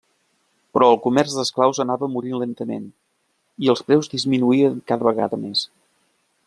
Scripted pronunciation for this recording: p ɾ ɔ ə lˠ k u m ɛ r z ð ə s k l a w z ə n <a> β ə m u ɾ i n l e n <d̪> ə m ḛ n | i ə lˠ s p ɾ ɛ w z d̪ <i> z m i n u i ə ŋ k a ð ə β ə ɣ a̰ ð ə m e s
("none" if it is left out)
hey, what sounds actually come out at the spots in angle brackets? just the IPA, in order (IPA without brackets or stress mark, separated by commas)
a, t̪, i